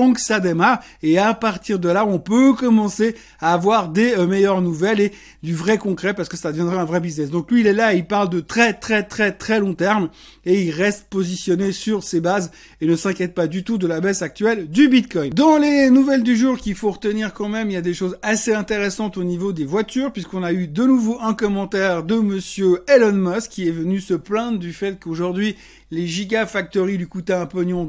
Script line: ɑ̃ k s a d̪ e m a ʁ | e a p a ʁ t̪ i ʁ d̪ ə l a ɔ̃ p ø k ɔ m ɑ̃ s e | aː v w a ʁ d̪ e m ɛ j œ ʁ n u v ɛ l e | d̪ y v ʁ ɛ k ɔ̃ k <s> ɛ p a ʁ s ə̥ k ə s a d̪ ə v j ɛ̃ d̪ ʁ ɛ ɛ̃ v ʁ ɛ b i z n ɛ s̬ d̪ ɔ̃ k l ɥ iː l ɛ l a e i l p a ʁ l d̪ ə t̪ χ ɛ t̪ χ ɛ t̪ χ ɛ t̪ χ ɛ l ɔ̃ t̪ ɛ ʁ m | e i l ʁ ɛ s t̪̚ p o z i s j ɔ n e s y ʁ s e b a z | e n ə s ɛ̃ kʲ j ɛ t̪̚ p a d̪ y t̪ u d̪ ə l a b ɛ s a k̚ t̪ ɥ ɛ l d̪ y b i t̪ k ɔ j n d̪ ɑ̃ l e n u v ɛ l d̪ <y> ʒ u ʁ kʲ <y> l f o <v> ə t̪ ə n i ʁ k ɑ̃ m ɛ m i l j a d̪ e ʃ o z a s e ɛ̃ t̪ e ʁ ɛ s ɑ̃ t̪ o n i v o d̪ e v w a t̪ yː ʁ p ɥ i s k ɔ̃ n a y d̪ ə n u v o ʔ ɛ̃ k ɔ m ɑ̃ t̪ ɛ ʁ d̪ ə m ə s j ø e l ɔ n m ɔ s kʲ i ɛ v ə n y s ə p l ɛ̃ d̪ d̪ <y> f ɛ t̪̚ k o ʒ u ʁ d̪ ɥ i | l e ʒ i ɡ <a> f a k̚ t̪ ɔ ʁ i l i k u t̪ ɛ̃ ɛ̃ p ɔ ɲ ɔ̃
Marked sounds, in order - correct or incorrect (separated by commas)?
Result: incorrect, correct, incorrect, incorrect, correct, correct